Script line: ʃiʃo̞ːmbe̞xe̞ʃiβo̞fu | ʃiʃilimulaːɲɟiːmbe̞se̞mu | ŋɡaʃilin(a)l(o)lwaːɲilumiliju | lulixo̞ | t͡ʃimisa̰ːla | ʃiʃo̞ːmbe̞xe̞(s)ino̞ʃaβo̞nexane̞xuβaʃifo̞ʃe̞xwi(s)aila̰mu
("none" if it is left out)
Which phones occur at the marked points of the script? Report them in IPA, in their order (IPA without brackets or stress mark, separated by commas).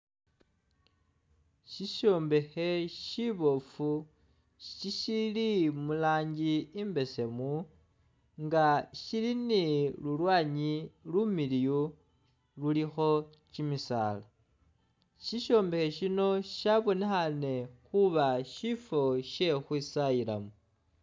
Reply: i, u, ʃ, s